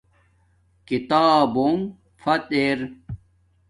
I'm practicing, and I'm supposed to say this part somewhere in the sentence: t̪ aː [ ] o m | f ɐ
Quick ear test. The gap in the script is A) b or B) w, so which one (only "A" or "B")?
A